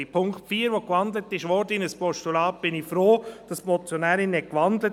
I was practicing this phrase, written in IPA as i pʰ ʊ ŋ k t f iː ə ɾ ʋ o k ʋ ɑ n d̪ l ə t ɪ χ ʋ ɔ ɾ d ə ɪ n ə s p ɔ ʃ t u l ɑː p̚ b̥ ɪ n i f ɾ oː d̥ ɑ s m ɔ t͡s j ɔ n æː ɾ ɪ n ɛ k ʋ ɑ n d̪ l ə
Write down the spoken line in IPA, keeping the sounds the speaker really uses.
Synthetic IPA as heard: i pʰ ʊ ŋ k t f iː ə ɾ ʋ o k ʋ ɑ n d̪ l ə t ɪ ʃ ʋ ɔ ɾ d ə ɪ n ə s p ɔ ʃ t u l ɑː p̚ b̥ ɪ n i f ɾ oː d̥ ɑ s m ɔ t͡s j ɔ n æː ɾ ɪ n ɛ k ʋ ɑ n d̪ l ə